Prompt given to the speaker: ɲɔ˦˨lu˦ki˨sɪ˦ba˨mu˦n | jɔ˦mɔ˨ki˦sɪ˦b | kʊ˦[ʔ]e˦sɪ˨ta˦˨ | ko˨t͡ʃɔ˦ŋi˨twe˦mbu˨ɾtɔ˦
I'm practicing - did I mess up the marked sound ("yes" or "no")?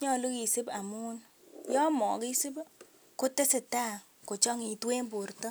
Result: yes